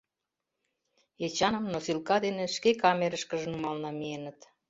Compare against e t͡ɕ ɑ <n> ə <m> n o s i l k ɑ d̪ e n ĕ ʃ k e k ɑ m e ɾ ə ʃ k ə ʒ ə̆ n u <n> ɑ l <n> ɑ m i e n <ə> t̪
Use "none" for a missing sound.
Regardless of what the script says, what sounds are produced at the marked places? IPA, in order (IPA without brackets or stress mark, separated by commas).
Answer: n, m, m, n, ə